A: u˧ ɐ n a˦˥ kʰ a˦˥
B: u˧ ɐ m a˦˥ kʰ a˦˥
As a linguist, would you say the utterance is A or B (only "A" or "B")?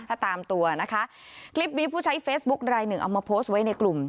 A